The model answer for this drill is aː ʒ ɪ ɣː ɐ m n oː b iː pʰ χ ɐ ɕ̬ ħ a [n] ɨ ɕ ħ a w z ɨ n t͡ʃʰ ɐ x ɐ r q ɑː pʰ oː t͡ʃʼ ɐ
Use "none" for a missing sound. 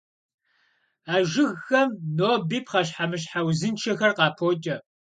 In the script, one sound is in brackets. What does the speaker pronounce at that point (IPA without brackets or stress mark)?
m